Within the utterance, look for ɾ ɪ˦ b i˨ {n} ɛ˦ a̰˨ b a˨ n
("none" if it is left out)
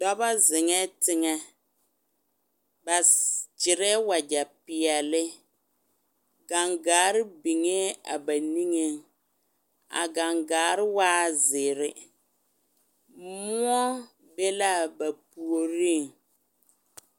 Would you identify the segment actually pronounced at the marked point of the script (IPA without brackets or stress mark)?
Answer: ŋ